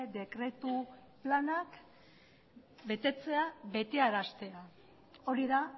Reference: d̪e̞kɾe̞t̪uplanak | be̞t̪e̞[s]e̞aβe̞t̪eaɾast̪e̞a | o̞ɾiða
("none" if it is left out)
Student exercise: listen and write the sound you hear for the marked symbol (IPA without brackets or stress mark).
t͡s